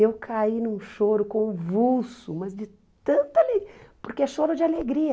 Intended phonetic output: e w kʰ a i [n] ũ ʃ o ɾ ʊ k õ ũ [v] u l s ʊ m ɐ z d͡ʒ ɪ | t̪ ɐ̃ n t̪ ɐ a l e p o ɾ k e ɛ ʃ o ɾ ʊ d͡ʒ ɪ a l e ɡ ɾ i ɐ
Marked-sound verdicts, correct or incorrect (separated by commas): correct, correct